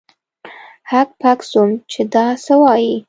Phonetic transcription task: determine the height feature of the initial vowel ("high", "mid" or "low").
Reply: low